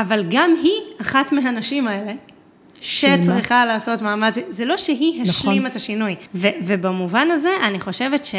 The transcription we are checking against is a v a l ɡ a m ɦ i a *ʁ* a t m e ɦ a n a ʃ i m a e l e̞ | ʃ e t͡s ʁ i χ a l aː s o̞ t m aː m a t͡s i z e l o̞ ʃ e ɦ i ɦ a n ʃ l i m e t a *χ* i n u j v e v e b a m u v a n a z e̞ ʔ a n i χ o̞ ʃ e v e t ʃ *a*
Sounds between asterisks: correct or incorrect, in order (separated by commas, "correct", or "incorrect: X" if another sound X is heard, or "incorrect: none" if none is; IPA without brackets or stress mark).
incorrect: χ, incorrect: ʃ, incorrect: e